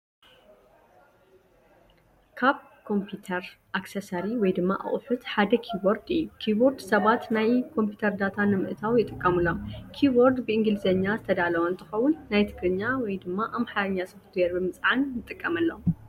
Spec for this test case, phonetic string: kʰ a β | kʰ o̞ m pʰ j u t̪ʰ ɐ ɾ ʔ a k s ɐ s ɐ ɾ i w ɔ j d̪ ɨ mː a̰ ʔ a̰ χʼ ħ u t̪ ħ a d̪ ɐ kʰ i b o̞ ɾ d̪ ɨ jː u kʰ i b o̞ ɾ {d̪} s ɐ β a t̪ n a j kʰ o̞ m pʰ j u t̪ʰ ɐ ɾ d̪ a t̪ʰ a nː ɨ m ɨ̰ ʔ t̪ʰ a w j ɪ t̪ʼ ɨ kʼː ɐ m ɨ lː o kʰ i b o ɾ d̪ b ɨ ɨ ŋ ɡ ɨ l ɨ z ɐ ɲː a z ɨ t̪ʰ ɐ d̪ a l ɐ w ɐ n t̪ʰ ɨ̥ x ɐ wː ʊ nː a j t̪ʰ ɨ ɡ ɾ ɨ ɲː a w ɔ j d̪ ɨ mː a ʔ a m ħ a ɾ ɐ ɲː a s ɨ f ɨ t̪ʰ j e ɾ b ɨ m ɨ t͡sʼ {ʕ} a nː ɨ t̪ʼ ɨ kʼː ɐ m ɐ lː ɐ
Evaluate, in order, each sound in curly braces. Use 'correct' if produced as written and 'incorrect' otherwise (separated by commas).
correct, correct